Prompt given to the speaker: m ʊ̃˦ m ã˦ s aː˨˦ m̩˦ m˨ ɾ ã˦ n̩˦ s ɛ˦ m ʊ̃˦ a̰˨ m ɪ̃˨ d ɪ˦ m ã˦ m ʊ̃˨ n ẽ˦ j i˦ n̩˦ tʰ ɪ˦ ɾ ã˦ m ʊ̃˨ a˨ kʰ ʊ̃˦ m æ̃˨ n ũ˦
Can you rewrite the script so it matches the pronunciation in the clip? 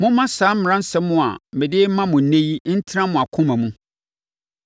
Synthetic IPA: m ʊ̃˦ m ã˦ s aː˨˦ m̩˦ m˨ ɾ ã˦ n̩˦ s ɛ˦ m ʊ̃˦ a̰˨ m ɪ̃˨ d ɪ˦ m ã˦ m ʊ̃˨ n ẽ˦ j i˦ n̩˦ tʰ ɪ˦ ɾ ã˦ m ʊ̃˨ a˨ kʰ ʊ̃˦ m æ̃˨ m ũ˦